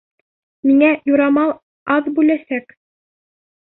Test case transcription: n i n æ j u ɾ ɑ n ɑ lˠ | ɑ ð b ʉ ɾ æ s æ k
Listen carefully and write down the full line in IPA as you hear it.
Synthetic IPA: m i ŋ æ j u ɾ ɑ m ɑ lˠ | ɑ ð b ʉ l æ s æ k